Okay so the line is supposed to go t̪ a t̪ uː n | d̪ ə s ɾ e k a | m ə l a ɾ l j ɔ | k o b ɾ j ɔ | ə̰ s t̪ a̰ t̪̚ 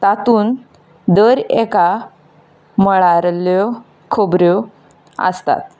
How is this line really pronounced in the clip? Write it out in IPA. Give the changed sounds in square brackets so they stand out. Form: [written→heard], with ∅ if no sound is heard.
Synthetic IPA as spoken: t̪ a t̪ uː n | d̪ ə [s→∅] ɾ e k a | m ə [l→ɭ] a ɾ l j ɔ | [k→kʰ] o b ɾ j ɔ | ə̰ s t̪ a̰ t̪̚

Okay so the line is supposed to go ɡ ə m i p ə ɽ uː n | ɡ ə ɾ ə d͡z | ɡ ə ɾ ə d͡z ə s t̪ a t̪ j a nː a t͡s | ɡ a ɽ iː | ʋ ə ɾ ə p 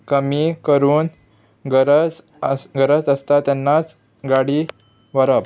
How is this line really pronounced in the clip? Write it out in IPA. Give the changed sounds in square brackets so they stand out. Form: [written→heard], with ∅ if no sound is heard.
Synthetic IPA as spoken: [ɡ→k] ə m i [p→k] ə [ɽ→ɾ] uː n | ɡ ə ɾ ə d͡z | ɡ ə ɾ ə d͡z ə s t̪ a t̪ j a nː a t͡s | ɡ a ɽ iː | ʋ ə ɾ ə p

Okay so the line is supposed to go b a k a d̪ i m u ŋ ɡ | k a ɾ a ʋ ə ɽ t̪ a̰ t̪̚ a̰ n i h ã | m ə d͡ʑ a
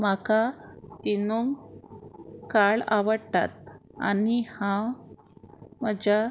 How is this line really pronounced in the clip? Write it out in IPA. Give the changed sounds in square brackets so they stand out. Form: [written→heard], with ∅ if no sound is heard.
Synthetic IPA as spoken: [b→m] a k a [d̪→t̪] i [m→n] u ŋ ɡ | k a [ɾ→ɭ] a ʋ ə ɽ t̪ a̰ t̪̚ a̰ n i h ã | m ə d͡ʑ a

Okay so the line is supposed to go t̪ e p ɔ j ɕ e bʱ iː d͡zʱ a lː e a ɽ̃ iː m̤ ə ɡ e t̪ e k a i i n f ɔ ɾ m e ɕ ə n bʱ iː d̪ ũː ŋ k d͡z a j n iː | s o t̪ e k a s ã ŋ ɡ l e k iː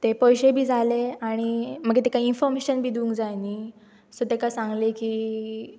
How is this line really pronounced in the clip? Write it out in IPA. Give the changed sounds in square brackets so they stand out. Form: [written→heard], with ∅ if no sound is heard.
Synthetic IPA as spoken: t̪ e p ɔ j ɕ e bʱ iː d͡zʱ a [lː→l] e a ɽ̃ [iː→i] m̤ ə ɡ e t̪ e k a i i n f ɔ ɾ m e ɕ ə n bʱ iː d̪ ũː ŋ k d͡z a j n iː | s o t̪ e k a s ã ŋ ɡ l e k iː

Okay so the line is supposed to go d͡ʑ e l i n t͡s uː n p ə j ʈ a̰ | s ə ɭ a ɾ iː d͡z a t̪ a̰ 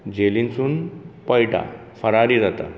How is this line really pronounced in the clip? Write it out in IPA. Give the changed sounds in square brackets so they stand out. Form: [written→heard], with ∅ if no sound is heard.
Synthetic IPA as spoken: d͡ʑ e l i n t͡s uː n p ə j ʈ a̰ | [s→f] ə [ɭ→ɾ] a ɾ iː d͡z a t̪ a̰

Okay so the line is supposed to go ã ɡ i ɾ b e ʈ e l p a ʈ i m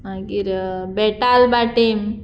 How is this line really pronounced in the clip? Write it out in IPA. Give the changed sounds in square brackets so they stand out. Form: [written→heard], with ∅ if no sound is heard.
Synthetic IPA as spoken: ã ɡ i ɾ b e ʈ [e→a] l [p→b] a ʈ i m

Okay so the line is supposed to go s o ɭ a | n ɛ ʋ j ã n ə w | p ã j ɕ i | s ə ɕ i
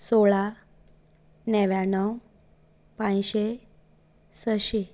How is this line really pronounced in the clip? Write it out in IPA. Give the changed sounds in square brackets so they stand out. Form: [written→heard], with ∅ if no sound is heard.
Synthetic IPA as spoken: s o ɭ a | n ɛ ʋ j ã n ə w | p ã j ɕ [i→e] | s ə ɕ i

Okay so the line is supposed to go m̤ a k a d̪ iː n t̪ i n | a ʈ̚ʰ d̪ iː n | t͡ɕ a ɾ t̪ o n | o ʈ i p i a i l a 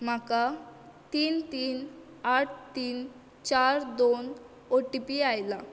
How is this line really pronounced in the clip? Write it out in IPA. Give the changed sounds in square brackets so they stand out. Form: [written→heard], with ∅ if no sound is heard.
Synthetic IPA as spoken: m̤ a k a [d̪→t̪] iː n t̪ [i→iː] n | a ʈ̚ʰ [d̪→t̪] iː n | t͡ɕ a ɾ [t̪→d̪] o n | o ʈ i p i a [i→j] l a

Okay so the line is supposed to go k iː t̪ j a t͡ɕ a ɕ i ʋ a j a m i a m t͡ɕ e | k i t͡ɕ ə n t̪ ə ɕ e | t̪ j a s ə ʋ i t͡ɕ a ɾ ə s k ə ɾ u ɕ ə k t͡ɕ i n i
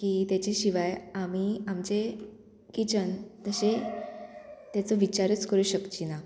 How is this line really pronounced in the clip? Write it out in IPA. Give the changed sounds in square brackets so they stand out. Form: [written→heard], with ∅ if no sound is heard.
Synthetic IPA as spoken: k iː t̪ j a t͡ɕ [a→e] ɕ i ʋ a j a m i a m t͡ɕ e | k i t͡ɕ ə n t̪ ə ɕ e | t̪ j a [s→t͡s] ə ʋ i t͡ɕ a ɾ ə [s→t͡s] k ə ɾ u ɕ ə k t͡ɕ i n [i→a]

